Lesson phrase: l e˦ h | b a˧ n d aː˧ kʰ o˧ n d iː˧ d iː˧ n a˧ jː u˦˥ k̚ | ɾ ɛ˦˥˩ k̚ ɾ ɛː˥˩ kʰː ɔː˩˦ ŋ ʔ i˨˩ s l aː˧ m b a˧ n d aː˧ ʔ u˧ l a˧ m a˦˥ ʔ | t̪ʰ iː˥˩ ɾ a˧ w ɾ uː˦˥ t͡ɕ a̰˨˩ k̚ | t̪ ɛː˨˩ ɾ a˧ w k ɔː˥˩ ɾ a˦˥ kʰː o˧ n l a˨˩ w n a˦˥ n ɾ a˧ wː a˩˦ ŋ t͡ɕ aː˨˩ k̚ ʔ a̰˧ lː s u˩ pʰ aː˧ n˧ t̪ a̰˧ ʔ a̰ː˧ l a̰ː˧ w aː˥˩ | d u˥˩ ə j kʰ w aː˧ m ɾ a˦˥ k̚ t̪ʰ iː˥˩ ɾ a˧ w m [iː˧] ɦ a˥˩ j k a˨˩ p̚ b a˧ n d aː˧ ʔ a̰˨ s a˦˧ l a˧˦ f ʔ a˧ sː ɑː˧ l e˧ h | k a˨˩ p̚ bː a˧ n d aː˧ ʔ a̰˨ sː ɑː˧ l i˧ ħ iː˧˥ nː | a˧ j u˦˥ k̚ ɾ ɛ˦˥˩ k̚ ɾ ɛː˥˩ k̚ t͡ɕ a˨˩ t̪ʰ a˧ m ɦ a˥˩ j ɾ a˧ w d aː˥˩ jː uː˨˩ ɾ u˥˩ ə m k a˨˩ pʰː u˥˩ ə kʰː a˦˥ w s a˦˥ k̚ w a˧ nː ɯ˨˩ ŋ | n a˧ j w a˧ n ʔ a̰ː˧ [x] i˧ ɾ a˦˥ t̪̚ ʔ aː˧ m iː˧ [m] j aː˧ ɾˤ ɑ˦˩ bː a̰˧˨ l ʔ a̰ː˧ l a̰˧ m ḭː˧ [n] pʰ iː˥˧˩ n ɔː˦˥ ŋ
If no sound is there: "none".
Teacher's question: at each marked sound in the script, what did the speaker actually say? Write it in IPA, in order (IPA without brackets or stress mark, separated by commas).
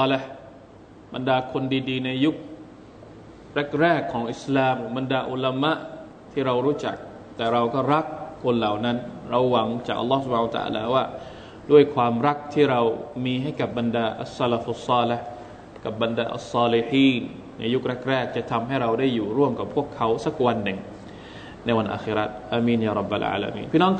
iː˧, x, n, n